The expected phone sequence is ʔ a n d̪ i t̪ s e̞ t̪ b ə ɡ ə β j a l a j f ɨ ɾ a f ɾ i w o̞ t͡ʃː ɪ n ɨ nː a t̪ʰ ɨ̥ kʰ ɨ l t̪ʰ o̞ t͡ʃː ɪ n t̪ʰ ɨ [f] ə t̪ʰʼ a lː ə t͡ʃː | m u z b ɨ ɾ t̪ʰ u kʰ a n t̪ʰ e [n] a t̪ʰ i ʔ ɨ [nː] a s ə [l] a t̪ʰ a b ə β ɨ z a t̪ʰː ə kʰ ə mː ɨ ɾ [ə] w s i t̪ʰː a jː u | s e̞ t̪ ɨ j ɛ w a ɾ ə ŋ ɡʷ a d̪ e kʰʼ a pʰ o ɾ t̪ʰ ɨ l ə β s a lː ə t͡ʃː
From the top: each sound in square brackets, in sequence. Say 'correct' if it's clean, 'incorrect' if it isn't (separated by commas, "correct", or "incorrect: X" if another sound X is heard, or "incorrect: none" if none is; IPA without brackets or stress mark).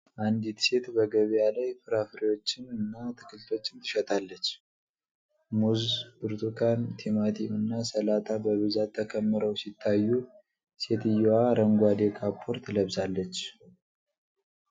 incorrect: ʃ, incorrect: m, correct, correct, correct